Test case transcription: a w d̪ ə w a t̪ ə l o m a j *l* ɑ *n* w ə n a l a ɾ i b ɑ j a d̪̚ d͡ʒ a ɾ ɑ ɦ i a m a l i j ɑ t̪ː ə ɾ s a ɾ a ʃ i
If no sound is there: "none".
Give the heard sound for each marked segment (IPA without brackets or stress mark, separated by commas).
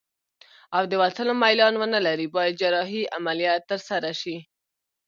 l, n